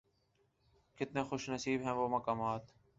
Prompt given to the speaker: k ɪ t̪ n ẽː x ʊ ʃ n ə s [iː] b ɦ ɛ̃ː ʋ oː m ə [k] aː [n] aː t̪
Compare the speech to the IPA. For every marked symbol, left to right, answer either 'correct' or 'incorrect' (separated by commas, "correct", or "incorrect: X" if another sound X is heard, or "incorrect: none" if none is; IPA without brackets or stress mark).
correct, correct, incorrect: m